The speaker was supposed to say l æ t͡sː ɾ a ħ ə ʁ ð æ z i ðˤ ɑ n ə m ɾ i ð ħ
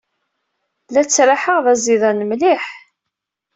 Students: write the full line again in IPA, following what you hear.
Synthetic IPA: l æ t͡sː ɾ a ħ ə ʁ ð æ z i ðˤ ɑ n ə m l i ħ

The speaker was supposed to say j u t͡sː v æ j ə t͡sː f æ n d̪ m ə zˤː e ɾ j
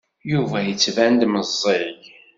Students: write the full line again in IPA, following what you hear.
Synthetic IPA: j u v æ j ə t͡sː v æ n d̪ m ə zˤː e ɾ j

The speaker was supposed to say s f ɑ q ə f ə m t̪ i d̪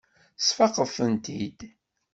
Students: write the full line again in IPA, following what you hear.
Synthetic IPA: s f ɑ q ə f ə n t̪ i d̪

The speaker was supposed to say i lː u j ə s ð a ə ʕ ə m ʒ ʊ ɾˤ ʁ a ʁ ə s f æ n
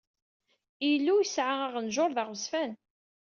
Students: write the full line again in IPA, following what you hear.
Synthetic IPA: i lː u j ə s ʕ a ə ʁ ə n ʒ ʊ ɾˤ ð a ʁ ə s f æ n

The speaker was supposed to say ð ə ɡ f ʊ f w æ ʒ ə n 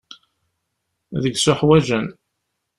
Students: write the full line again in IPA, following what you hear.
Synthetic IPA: ð ə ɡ s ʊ ħ w æ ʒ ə n

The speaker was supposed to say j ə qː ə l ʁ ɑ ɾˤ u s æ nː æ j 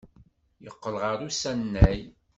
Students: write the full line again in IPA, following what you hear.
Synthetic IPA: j ə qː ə l ʁ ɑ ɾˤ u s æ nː æ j

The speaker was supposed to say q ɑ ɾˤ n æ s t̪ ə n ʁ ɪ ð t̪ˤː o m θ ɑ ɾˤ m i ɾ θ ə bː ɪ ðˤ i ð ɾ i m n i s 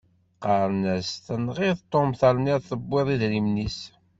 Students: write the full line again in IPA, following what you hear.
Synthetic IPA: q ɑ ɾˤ n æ s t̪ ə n ʁ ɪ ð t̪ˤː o m θ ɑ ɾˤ n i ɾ θ ə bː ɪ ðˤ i ð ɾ i m n i s

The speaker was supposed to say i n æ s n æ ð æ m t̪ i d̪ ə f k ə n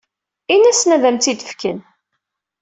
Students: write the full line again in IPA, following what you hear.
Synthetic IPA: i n æ s n æ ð æ m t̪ i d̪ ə f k ə n

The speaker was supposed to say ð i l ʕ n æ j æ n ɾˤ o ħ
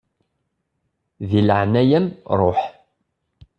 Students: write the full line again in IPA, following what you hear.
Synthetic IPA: ð i l ʕ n æ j æ m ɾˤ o ħ

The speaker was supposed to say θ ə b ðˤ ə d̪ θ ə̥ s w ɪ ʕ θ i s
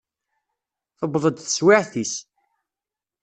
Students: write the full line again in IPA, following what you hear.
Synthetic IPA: θ ə b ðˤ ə d̪ θ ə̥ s w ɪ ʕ θ i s

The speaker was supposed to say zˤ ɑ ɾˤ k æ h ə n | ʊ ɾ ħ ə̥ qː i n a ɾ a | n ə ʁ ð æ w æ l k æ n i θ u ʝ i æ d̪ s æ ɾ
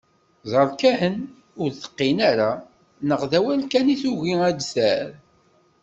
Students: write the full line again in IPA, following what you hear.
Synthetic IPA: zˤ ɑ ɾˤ k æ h ə n | ʊ ɾ θ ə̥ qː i n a ɾ a | n ə ʁ ð æ w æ l k æ n i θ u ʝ i æ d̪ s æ ɾ

